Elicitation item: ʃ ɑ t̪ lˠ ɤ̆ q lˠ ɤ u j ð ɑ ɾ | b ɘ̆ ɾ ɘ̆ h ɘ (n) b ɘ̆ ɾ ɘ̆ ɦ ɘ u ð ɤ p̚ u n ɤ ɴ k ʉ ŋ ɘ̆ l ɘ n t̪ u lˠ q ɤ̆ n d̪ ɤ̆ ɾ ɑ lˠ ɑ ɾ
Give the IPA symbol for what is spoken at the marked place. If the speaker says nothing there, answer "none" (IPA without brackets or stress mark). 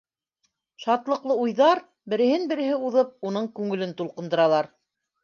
n